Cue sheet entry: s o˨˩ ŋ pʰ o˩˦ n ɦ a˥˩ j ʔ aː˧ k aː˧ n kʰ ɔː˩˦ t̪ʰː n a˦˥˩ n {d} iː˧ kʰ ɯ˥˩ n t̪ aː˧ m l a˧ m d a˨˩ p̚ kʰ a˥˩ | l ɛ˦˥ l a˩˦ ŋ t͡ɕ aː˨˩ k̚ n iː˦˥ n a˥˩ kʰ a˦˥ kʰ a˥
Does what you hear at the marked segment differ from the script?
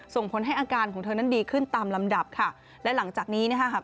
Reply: no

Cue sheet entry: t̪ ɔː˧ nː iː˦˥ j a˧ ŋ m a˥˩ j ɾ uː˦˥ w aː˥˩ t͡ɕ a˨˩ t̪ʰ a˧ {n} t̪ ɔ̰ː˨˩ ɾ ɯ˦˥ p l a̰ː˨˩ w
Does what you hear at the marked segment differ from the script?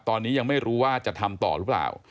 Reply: yes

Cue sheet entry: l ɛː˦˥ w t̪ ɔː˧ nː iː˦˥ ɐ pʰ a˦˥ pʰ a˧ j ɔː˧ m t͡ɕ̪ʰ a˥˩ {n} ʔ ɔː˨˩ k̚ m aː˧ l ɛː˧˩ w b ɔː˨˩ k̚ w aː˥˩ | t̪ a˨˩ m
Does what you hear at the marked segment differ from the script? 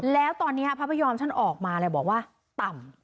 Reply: no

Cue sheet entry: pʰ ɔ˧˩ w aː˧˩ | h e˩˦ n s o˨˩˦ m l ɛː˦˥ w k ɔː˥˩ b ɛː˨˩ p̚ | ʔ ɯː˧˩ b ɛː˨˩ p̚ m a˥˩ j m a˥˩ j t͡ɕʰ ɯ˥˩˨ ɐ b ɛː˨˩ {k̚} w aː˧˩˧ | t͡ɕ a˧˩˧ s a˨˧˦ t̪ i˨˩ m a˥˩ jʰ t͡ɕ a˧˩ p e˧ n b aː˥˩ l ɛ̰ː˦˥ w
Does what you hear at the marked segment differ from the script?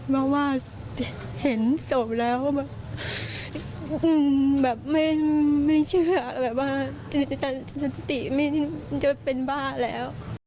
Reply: yes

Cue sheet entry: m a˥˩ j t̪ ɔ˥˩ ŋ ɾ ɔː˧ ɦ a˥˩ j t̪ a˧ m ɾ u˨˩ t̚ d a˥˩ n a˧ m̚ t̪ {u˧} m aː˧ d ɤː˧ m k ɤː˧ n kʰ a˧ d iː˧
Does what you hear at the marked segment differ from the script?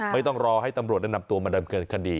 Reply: no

